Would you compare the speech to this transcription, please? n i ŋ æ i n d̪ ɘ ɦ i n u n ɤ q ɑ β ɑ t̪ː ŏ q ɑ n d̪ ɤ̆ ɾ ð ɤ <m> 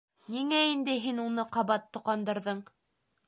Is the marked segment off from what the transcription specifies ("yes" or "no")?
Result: yes